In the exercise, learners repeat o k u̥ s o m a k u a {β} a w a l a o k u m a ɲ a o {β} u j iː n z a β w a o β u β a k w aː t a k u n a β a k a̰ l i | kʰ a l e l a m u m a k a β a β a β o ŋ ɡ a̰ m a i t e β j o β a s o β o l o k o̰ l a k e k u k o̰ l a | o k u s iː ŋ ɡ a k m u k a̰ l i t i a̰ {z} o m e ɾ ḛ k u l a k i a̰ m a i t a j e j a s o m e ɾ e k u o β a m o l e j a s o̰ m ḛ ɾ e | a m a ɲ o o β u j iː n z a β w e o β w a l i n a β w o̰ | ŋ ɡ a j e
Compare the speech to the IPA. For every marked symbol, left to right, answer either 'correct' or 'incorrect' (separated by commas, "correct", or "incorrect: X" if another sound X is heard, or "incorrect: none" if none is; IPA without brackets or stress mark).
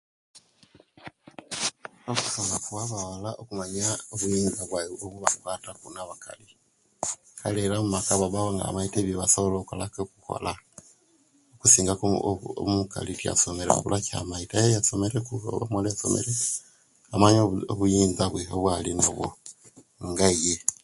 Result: correct, correct, incorrect: s